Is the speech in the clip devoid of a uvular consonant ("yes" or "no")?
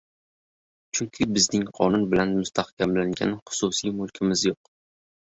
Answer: no